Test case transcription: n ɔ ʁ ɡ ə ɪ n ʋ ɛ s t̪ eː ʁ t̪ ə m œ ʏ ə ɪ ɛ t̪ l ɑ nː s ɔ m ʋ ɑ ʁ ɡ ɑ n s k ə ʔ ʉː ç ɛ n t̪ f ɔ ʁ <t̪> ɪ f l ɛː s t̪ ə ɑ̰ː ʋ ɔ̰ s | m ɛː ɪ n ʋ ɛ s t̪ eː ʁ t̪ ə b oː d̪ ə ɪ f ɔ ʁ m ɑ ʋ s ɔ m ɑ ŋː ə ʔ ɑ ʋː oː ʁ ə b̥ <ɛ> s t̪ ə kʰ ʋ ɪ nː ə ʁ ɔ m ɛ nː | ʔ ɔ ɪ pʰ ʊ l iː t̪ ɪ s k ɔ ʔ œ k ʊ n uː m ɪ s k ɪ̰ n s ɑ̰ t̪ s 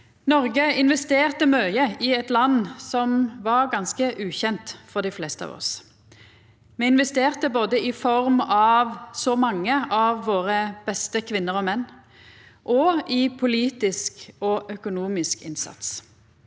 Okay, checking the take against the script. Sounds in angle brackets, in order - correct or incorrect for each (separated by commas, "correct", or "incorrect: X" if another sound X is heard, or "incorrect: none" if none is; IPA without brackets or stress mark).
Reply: incorrect: d̪, correct